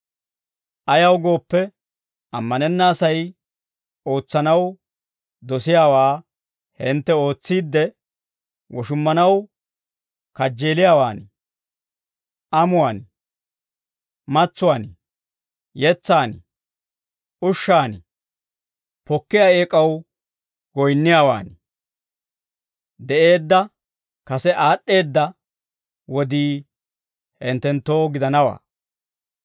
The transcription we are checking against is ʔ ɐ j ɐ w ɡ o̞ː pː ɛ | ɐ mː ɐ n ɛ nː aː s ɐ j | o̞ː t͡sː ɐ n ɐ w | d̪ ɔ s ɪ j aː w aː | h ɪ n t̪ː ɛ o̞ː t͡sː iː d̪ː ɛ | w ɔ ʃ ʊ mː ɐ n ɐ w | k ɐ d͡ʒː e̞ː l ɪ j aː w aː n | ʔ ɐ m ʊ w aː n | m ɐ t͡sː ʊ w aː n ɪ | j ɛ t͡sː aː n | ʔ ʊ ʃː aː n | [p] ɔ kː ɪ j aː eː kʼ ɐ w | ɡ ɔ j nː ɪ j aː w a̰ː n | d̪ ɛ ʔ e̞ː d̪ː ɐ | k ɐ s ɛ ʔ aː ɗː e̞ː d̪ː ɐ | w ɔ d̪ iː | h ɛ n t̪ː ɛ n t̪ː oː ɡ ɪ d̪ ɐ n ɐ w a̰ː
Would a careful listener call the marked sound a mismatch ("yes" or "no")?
no